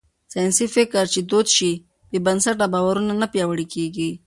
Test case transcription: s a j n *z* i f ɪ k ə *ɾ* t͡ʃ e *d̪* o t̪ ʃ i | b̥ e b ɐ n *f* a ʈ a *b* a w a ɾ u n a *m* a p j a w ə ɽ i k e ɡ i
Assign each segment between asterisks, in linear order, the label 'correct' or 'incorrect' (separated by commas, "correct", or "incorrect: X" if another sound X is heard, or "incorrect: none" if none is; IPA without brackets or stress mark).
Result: incorrect: s, correct, correct, incorrect: s, correct, incorrect: n